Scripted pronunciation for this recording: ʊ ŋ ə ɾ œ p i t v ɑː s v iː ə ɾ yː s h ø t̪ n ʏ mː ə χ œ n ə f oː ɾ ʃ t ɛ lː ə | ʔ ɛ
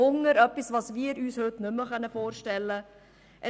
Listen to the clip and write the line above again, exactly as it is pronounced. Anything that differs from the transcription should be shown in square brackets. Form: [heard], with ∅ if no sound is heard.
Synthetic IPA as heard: ʊ ŋ ə ɾ œ p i [s] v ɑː s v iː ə ɾ yː s h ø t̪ n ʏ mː ə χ œ n ə f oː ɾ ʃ t ɛ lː ə | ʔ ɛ

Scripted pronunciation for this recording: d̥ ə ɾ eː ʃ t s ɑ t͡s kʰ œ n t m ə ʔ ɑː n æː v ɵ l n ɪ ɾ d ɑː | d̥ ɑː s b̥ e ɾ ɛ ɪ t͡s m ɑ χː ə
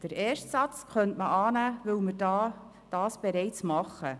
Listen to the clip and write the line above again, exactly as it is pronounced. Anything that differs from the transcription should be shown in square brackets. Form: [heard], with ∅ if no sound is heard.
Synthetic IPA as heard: d̥ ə ɾ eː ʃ t s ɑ t͡s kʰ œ n t m ə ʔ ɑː n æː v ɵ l [m] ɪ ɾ d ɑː | d̥ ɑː s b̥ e ɾ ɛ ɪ t͡s m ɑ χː ə

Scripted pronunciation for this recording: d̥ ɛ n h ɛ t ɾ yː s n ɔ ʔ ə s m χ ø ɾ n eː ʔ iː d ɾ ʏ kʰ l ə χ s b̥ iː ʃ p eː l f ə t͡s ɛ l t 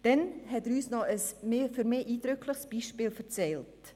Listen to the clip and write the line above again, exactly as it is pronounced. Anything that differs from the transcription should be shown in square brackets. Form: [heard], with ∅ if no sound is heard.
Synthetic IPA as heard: d̥ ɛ n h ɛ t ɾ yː s n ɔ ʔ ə s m [f] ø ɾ [m] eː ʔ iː d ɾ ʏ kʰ l ə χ s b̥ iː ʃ p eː l f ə t͡s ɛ l t

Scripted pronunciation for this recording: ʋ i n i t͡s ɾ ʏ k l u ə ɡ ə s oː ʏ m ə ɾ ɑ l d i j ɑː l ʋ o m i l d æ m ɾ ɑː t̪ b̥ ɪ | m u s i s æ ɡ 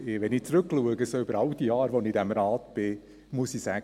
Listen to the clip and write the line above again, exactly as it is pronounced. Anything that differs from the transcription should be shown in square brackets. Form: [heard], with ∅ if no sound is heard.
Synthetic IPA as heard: ʋ [ɛ] n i t͡s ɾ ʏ k l u ə ɡ ə s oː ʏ [b] ə ɾ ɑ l d i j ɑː [ɾ] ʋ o [n] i [∅] d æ m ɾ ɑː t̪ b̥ ɪ | m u s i s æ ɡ

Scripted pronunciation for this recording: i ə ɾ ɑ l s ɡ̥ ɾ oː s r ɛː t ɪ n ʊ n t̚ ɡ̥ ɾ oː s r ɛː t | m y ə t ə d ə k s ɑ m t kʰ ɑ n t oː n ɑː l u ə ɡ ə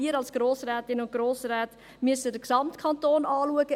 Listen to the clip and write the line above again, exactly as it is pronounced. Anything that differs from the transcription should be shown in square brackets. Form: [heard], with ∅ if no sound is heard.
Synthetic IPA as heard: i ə ɾ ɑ l s ɡ̥ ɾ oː s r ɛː t ɪ n ʊ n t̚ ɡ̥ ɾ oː s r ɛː t | m y ə [s] ə d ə k s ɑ m t kʰ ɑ n t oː n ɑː l u ə ɡ ə

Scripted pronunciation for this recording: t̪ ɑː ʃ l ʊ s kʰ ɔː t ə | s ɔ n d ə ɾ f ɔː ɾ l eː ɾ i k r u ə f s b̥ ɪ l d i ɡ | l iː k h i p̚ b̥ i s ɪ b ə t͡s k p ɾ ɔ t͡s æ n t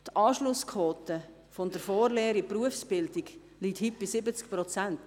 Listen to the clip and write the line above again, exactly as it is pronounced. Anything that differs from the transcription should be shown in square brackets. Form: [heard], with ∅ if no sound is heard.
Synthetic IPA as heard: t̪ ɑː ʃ l ʊ s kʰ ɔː t ə | [f] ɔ n d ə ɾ f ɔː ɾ l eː ɾ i [p] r u ə f s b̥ ɪ l d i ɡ | l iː [t] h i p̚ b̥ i s ɪ b ə t͡s k p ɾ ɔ t͡s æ n t

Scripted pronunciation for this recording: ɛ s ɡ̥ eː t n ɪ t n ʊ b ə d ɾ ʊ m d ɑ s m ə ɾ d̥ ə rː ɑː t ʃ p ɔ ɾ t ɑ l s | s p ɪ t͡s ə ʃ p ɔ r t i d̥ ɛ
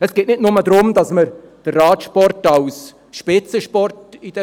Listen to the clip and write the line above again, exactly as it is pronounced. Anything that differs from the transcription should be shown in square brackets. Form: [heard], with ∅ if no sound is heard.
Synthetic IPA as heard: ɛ s ɡ̥ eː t n ɪ t n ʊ [m] ə d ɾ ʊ m d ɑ s m ə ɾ d̥ ə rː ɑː t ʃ p ɔ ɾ t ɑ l s | [ʃ] p ɪ t͡s ə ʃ p ɔ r t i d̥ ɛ

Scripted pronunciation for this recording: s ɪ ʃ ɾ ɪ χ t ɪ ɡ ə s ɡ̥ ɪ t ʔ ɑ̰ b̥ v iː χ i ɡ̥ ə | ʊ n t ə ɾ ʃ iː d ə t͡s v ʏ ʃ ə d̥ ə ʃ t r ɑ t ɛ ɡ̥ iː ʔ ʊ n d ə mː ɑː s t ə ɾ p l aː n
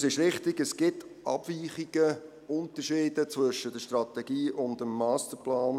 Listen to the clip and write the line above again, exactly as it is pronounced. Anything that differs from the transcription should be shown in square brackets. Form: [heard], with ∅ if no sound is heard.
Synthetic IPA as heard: s ɪ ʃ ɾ ɪ χ t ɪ ɡ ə s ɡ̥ ɪ t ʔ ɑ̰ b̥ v iː χ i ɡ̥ ə | ʊ n t ə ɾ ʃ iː d ə t͡s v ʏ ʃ ə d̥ ə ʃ t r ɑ t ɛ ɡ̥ iː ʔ ʊ n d ə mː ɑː s t ə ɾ p l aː n

